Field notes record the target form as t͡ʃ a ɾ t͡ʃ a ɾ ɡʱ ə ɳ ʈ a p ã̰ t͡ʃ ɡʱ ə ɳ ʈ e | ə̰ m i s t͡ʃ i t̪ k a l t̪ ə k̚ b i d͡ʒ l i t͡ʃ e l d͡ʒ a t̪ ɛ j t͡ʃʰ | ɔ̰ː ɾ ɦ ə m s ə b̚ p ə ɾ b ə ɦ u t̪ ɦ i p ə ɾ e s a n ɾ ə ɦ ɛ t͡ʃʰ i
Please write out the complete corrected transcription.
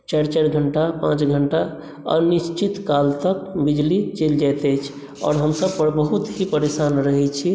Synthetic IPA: t͡ʃ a ɾ t͡ʃ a ɾ ɡʱ ə ɳ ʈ a p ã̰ t͡ʃ ɡʱ ə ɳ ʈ a | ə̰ n i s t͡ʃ i t̪ k a l t̪ ə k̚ b i d͡ʒ l i t͡ʃ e l d͡ʒ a t̪ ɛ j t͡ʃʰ | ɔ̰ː ɾ ɦ ə m s ə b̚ p ə ɾ b ə ɦ u t̪ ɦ i p ə ɾ e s a n ɾ ə ɦ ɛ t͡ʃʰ i

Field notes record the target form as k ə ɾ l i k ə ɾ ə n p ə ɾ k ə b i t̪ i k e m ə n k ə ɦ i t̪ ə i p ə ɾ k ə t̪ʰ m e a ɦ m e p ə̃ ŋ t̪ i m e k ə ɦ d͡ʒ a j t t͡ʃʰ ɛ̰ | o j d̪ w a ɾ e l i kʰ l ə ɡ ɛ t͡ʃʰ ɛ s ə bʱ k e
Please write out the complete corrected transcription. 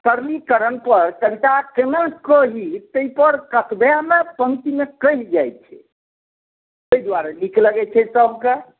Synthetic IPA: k ə ɾ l i k ə ɾ ə n p ə ɾ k ə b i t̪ a k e m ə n k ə ɦ i t̪ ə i p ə ɾ k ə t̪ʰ b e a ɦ m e p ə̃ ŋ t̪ i m e k ə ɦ d͡ʒ a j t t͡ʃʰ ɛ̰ | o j d̪ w a ɾ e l i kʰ l ə ɡ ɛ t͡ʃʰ ɛ s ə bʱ k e

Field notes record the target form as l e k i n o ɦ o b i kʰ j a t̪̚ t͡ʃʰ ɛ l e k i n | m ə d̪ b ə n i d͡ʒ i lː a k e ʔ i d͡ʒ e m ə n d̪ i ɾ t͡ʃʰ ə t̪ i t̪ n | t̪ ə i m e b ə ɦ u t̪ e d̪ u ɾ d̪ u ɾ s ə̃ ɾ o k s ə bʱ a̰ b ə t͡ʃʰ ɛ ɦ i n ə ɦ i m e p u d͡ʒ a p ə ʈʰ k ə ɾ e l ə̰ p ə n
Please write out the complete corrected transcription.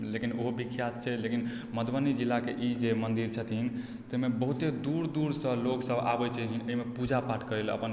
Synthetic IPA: l e k i n o ɦ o b i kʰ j a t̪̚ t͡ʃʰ ɛ l e k i n | m ə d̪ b ə n i d͡ʒ i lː a k e ʔ i d͡ʒ e m ə n d̪ i ɾ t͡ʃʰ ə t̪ i n | t̪ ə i m e b ə ɦ u t̪ e d̪ u ɾ d̪ u ɾ s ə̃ l o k s ə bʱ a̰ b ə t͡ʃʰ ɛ ɦ i n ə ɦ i m e p u d͡ʒ a p a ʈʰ k ə ɾ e l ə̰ p ə n

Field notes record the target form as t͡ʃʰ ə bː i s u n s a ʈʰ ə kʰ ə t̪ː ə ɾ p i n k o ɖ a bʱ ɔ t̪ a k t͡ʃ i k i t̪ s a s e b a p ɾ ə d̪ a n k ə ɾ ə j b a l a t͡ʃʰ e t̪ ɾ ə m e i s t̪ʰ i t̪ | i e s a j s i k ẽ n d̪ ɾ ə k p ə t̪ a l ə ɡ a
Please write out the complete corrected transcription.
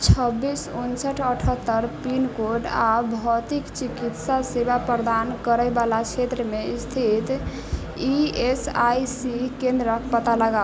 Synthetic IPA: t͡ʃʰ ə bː i s u n s ə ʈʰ ə ʈʰ ə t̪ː ə ɾ p i n k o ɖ a bʱ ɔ t̪ i k t͡ʃ i k i t̪ s a s e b a p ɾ ə d̪ a n k ə ɾ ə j b a l a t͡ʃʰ e t̪ ɾ ə m e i s t̪ʰ i t̪ | i e s a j s i k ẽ n d̪ ɾ ə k p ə t̪ a l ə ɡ a

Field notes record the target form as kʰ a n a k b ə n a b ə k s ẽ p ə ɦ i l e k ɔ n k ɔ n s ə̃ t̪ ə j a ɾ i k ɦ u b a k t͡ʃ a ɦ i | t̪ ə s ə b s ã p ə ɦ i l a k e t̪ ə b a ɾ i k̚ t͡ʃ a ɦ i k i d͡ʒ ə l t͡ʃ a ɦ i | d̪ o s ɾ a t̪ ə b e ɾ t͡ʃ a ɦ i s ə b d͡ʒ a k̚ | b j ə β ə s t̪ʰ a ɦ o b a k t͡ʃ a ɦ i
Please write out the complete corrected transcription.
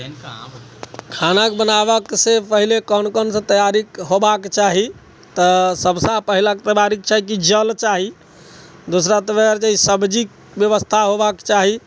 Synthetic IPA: kʰ a n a k b ə n a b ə k s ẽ p ə ɦ i l e k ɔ n k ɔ n s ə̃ t̪ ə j a ɾ i k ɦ o b a k t͡ʃ a ɦ i | t̪ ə s ə b s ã p ə ɦ i l a k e t̪ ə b a ɾ i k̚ t͡ʃ a ɦ i k i d͡ʒ ə l t͡ʃ a ɦ i | d̪ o s ɾ a t̪ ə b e ɾ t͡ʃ a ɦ i s ə b d͡ʒ i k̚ | b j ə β ə s t̪ʰ a ɦ o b a k t͡ʃ a ɦ i

